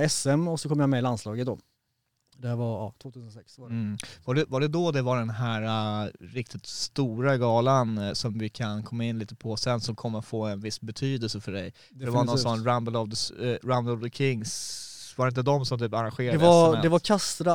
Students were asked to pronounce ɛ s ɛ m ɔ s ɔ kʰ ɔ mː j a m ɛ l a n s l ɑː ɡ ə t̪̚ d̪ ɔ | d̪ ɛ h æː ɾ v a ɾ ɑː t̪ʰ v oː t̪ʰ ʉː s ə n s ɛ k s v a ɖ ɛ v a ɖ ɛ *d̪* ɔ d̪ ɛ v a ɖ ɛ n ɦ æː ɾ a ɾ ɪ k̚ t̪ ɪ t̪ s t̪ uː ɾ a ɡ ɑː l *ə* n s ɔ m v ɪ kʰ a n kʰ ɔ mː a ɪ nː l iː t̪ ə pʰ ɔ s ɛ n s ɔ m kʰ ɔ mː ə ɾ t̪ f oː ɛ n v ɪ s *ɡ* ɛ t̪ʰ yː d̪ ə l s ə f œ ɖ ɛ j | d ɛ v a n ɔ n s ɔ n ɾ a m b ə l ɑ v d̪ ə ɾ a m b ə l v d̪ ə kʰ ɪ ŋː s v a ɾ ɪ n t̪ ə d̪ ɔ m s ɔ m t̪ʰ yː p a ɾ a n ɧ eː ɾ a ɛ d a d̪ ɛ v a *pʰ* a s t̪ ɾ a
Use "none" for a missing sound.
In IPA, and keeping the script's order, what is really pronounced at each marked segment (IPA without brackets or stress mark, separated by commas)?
d̪, a, b, kʰ